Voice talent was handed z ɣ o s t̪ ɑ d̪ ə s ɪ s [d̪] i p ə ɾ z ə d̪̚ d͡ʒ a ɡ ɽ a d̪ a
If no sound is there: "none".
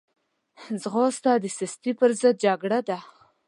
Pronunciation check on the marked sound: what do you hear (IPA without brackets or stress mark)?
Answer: t̪